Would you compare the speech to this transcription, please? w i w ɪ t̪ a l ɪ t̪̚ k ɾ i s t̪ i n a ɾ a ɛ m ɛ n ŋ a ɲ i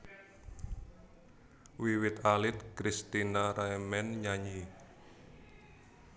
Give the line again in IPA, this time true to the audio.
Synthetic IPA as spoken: w i w ɪ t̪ a l ɪ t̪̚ k ɾ i s t̪ i n a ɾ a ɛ m ɛ n ɲ a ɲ i